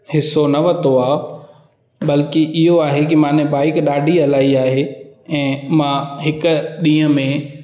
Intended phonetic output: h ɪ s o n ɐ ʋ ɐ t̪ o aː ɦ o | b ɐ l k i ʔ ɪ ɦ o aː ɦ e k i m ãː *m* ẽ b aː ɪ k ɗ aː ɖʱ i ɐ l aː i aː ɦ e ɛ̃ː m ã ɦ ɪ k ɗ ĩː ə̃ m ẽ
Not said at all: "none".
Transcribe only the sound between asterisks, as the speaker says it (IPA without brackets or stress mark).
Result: n